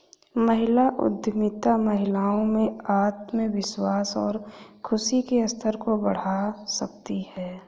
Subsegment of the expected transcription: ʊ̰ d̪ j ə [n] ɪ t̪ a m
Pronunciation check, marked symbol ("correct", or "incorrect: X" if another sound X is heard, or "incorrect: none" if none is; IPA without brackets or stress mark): incorrect: m